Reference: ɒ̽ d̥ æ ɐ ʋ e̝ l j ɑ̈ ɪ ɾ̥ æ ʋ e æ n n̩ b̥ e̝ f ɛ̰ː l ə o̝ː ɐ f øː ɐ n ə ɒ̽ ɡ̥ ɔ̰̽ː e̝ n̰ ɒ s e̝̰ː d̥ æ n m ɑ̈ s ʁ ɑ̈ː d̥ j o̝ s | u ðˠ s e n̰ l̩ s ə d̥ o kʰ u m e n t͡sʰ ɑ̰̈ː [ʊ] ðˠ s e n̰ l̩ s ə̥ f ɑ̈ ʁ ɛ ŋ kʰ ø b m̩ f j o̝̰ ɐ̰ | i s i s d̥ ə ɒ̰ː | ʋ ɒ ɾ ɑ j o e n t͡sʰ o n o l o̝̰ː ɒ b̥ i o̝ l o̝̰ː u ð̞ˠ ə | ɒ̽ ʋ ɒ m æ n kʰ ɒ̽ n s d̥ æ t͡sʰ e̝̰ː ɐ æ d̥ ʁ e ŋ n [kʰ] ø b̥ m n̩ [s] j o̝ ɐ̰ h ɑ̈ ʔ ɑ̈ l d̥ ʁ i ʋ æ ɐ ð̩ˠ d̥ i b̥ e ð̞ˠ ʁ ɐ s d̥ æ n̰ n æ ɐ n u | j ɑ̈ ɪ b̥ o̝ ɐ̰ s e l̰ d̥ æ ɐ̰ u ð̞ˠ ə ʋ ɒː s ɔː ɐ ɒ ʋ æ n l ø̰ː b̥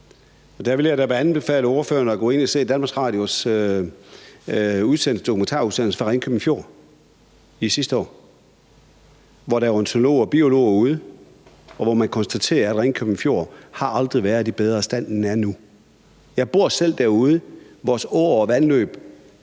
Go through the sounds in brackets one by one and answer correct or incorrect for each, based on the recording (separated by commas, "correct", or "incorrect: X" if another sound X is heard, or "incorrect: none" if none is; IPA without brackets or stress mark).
incorrect: u, correct, incorrect: f